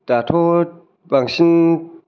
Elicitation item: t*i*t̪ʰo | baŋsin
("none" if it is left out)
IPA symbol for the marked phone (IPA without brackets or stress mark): a